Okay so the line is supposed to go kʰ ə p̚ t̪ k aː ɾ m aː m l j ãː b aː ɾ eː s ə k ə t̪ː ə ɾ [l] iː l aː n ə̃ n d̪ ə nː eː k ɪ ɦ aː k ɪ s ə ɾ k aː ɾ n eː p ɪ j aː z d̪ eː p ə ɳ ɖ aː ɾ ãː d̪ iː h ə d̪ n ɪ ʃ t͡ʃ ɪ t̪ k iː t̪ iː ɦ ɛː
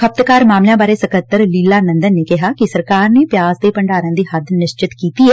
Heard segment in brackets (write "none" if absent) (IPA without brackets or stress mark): l